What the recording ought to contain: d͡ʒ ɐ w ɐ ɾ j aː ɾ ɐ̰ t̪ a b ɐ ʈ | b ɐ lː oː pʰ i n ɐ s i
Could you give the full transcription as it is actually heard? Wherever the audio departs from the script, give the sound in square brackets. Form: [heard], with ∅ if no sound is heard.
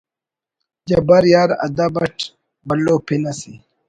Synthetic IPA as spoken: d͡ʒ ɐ [b] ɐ ɾ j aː ɾ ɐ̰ [d̪] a b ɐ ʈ | b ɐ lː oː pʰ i n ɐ s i